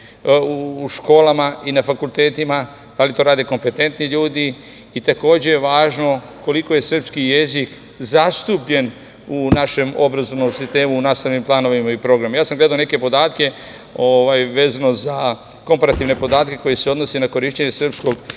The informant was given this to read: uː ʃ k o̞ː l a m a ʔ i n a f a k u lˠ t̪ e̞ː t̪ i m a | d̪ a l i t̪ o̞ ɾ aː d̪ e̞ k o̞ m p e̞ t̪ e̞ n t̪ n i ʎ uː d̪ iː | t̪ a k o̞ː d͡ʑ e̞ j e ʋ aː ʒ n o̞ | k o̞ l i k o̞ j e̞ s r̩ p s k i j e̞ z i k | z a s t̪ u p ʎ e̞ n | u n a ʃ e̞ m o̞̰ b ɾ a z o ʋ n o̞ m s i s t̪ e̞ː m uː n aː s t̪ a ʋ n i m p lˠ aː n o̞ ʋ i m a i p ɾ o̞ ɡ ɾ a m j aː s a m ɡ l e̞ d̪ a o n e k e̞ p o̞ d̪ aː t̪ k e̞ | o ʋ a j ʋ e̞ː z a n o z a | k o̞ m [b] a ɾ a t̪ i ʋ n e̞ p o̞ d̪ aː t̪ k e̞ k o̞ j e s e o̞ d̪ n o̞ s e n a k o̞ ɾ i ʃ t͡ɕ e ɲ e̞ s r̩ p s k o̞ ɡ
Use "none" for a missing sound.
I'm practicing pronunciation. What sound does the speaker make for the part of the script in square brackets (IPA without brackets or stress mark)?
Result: p